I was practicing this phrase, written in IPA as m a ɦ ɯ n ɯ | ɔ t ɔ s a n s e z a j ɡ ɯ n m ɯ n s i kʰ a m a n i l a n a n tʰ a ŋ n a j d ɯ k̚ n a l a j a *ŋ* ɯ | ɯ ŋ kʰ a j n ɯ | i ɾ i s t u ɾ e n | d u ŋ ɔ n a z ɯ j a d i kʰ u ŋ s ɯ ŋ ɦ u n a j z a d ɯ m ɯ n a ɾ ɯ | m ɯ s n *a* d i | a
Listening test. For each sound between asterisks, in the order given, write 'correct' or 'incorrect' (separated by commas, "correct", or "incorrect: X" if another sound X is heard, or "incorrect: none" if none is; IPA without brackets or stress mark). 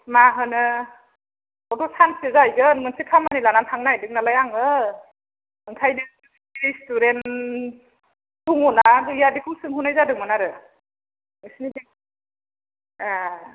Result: correct, incorrect: i